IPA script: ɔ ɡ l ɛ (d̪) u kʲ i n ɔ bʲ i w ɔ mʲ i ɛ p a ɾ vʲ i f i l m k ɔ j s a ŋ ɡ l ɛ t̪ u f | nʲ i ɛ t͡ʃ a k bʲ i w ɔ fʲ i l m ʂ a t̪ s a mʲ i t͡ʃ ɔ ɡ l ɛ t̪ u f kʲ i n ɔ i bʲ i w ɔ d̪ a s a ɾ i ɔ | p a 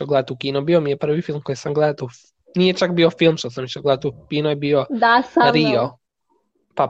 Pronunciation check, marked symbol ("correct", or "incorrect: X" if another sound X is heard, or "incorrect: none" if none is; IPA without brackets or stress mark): incorrect: t̪